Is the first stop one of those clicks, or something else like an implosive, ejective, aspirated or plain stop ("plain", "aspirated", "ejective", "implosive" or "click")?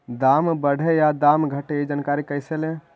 plain